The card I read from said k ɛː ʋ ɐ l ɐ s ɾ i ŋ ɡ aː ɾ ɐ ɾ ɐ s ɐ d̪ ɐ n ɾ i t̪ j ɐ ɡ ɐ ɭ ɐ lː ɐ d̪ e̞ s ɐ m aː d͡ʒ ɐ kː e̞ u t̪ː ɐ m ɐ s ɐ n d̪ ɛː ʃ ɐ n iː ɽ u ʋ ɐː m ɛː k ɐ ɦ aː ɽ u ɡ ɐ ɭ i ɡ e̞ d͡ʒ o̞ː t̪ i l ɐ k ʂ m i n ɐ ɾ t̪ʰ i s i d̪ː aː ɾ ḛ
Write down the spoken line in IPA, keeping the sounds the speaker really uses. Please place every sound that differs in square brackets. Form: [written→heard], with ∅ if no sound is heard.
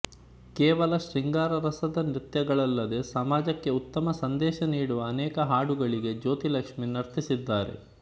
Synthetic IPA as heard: k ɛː ʋ ɐ l ɐ [s→ʃ] ɾ i ŋ ɡ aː ɾ ɐ ɾ ɐ s ɐ d̪ ɐ n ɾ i t̪ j ɐ ɡ ɐ ɭ ɐ lː ɐ d̪ e̞ s ɐ m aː d͡ʒ ɐ kː e̞ u t̪ː ɐ m ɐ s ɐ n d̪ ɛː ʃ ɐ n iː ɽ u ʋ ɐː [m→n] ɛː k ɐ ɦ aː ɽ u ɡ ɐ ɭ i ɡ e̞ d͡ʒ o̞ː t̪ i l ɐ k ʂ m i n ɐ ɾ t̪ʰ i s i d̪ː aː ɾ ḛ